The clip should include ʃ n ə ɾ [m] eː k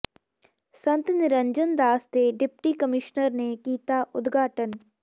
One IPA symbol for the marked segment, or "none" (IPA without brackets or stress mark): n